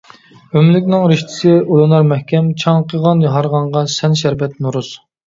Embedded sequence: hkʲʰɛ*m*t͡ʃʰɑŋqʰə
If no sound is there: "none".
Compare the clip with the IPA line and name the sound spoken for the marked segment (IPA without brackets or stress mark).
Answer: m